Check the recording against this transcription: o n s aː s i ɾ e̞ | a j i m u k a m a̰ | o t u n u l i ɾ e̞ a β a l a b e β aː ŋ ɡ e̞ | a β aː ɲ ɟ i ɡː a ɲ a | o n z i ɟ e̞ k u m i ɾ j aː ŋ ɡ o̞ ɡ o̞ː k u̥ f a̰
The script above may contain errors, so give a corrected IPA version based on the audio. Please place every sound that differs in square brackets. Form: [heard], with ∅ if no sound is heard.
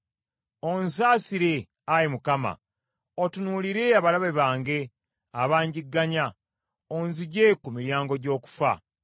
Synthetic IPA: o n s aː s i ɾ e̞ | a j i m u k a m a̰ | o t u n u l i ɾ e̞ a β a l a [β] e β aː ŋ ɡ e̞ | a β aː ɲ ɟ i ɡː a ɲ a | o n z i ɟ e̞ k u m i ɾ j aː ŋ ɡ o̞ [ɟ] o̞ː k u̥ f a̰